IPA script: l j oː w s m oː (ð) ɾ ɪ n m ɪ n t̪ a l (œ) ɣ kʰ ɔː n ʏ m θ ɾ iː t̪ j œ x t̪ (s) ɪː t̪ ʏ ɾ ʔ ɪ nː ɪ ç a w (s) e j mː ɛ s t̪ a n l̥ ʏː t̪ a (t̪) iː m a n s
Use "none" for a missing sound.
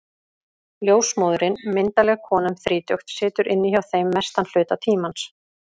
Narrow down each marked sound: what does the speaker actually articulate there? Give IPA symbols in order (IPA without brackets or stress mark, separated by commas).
ð, ɛ, s, θ, t̪ʰ